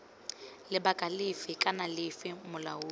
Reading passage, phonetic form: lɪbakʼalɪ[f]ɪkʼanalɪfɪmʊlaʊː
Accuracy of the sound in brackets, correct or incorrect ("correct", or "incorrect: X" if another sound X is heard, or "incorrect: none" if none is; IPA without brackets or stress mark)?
correct